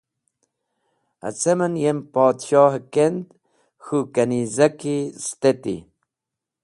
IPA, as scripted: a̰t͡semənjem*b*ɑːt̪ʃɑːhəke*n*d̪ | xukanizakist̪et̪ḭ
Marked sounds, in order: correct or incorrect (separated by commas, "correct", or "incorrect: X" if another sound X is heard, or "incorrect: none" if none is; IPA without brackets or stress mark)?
incorrect: p, correct